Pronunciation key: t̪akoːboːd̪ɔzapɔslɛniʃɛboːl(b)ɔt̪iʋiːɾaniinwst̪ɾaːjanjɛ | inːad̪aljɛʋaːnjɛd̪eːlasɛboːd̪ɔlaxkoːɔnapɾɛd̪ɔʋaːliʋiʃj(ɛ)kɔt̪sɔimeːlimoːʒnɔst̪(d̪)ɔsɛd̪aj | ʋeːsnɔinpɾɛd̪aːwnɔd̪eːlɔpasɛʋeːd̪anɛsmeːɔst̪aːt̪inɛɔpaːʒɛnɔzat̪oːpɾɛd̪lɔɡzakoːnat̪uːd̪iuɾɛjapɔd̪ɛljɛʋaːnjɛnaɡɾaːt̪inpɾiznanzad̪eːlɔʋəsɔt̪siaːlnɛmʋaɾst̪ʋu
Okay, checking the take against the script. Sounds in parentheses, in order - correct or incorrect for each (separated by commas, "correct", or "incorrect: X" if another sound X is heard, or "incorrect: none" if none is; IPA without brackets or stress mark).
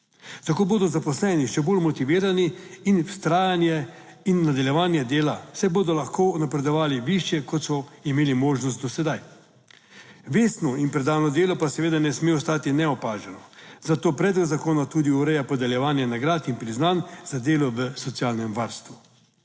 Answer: incorrect: m, correct, correct